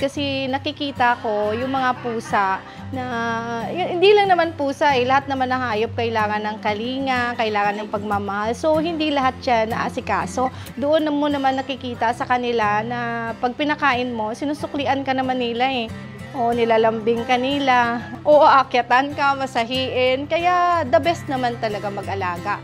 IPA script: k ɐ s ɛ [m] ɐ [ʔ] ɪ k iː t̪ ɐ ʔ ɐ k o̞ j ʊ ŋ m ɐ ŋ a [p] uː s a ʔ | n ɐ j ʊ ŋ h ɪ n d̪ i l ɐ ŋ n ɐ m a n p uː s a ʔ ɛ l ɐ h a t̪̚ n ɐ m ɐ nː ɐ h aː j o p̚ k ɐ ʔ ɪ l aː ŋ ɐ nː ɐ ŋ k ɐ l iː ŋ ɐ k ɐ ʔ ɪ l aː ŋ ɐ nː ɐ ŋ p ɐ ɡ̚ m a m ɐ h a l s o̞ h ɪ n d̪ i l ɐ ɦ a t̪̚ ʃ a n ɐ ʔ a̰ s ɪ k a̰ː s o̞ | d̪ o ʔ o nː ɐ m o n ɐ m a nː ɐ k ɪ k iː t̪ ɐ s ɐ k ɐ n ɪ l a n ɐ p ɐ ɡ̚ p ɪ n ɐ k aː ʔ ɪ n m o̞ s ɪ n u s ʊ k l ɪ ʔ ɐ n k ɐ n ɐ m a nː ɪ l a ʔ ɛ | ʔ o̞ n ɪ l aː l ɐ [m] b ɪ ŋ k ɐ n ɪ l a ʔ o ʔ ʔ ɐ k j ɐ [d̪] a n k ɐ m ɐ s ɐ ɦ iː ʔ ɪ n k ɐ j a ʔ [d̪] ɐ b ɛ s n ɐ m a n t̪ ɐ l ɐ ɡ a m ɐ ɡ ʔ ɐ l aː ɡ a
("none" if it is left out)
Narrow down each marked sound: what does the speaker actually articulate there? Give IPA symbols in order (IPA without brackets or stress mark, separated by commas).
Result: n, k, p, m, t̪, d̪